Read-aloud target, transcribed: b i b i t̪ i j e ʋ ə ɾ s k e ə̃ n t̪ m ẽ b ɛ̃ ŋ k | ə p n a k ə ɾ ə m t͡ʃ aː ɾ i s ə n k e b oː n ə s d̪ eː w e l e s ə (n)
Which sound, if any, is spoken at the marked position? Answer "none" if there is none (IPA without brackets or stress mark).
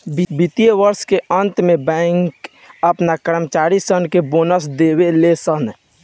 n